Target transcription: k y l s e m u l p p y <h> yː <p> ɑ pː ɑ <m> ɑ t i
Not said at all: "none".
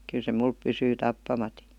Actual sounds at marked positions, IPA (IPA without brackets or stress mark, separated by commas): s, t, m